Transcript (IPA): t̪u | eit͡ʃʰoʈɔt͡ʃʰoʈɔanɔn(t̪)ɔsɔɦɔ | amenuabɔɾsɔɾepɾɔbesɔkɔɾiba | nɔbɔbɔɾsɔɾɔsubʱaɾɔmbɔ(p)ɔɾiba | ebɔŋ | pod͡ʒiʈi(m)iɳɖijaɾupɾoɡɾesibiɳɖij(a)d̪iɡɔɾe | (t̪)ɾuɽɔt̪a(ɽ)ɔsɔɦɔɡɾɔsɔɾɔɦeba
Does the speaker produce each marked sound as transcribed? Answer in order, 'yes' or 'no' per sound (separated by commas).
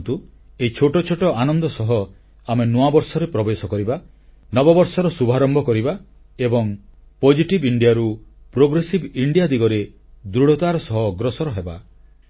no, no, no, yes, no, no